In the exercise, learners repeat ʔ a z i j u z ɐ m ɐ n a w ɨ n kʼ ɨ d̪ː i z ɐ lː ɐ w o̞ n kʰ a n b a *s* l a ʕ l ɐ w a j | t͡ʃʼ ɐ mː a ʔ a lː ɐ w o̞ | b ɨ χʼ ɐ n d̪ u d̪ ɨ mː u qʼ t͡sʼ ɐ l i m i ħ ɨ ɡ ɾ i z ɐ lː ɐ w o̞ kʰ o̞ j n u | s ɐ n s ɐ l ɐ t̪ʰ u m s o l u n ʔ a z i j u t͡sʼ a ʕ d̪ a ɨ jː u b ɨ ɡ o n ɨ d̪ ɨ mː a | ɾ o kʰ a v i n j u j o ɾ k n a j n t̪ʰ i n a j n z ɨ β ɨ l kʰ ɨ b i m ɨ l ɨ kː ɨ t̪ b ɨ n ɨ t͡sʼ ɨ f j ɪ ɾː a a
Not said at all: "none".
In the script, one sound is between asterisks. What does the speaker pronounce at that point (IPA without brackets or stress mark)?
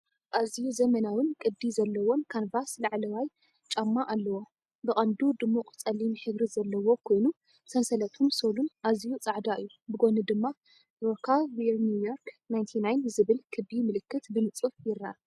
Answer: s